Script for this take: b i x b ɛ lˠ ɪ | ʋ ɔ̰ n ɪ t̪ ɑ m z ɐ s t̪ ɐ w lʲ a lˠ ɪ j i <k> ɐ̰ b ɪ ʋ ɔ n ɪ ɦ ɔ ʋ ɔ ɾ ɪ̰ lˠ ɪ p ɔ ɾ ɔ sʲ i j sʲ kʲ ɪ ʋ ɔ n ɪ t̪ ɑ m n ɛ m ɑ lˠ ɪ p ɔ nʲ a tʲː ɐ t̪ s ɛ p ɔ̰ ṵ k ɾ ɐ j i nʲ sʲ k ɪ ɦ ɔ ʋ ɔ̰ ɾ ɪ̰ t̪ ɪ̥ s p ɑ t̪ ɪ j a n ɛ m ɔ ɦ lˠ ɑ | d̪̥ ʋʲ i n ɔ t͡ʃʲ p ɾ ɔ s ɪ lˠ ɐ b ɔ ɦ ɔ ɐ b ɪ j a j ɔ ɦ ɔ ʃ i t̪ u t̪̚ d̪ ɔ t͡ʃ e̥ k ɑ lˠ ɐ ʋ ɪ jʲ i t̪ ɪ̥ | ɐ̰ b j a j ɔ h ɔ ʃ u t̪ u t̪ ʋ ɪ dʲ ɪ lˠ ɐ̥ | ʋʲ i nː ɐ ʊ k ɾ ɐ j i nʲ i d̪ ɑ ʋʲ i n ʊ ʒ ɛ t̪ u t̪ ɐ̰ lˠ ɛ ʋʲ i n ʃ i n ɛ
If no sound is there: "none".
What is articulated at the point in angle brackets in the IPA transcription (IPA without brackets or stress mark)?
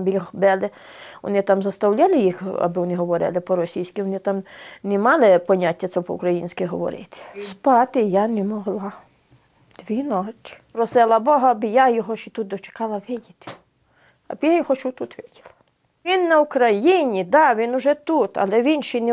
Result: x